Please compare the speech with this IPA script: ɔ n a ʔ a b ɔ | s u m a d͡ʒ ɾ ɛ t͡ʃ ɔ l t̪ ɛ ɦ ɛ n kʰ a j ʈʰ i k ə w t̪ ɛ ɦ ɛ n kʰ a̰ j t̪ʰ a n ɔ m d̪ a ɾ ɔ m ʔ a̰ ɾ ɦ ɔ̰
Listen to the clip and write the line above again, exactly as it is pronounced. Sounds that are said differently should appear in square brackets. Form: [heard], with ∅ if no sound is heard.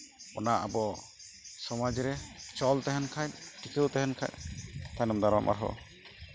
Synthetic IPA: ɔ n a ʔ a b ɔ | s [ɔ] m a d͡ʒ ɾ ɛ t͡ʃ ɔ l t̪ ɛ ɦ ɛ n kʰ a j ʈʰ i k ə w t̪ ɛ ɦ ɛ n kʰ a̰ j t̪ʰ a n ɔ m d̪ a ɾ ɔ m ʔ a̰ ɾ ɦ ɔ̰